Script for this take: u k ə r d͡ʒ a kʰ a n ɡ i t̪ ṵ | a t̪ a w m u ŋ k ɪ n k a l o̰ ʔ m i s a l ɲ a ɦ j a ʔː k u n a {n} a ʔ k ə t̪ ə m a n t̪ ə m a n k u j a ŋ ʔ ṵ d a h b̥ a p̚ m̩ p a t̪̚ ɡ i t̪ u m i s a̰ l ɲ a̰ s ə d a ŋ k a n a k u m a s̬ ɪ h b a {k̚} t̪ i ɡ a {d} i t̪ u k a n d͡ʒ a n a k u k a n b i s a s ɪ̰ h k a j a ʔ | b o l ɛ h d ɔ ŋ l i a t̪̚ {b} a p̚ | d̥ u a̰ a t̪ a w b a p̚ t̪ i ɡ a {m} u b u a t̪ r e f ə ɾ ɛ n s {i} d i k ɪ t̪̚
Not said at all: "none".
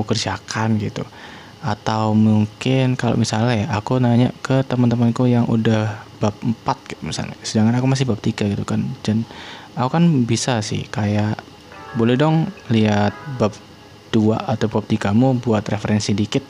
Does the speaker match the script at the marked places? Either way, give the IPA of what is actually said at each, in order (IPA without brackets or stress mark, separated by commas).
ɲ, p̚, ɡ, b, m, i